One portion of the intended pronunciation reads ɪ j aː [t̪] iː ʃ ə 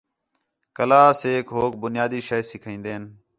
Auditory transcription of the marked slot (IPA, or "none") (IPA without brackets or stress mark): d̪